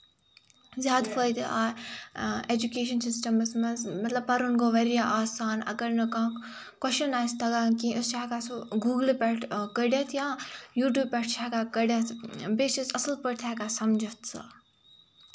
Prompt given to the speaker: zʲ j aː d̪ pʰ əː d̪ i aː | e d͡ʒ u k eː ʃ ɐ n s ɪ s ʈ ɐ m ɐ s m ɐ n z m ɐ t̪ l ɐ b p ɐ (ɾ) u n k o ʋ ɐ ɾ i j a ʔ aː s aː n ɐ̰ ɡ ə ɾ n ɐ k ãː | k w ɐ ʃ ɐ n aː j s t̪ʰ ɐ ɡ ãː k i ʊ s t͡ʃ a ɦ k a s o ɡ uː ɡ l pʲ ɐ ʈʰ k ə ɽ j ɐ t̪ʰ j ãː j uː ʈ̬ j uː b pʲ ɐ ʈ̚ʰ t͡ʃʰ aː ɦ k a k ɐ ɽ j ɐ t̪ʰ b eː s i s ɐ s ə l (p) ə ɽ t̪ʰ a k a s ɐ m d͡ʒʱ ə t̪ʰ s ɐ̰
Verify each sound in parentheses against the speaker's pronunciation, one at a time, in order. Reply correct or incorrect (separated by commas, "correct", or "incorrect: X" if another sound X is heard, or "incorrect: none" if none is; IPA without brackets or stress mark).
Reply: correct, correct